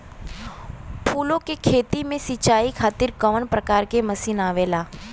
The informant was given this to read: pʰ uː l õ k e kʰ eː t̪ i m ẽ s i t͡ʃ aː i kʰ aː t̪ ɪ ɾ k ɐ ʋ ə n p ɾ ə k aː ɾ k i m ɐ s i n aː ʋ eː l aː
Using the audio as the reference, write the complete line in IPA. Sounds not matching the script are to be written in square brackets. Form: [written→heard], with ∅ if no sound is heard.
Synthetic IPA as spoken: pʰ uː l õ k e kʰ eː t̪ i m ẽ s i t͡ʃ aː i kʰ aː t̪ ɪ ɾ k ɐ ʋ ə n p ɾ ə k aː ɾ k [i→e] m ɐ s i n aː ʋ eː l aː